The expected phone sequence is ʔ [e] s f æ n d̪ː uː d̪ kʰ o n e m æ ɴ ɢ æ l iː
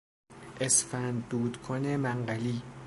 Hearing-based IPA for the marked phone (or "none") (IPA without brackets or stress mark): e